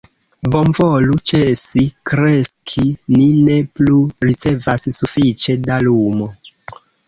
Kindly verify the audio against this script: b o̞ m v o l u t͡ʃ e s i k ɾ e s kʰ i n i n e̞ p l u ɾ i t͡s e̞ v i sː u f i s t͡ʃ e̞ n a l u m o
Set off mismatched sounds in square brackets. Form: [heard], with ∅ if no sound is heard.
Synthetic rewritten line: b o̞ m v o l u t͡ʃ e s i k ɾ e s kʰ i n i n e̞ p l u ɾ i t͡s e̞ v [a] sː u f i [∅] t͡ʃ e̞ [d] a l u m o